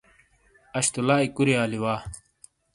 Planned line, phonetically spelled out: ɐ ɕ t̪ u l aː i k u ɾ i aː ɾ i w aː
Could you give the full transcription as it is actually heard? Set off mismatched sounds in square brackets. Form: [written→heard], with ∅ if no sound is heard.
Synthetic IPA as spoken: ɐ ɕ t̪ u l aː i k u ɾ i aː [ɾ→l] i w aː